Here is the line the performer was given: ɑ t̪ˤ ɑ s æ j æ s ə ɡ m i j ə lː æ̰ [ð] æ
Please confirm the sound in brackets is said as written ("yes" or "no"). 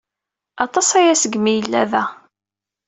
yes